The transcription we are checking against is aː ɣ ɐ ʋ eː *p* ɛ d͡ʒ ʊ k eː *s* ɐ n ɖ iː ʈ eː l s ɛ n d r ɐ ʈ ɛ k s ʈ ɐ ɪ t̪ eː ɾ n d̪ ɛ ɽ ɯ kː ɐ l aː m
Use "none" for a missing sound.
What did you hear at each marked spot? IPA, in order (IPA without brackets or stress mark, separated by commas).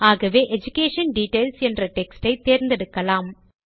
ʔ, ʂ